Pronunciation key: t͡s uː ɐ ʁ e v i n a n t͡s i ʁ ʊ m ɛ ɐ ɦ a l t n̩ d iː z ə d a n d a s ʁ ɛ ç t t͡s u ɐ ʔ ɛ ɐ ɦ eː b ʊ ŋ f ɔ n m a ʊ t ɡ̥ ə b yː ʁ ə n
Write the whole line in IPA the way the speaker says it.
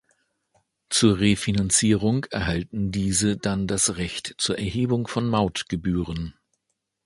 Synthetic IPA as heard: t͡s uː ɐ ʁ e f i n a n t͡s iː ʁ ʊ ŋ ɛ ɐ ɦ a l t n̩ d iː z ə d a n d a s ʁ ɛ ç t t͡s uː ɐ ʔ ɛ ɐ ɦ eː b ʊ ŋ f ɔ n m a ʊ t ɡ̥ ə b yː ʁ ə n